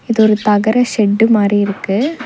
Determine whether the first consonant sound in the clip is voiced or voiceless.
voiced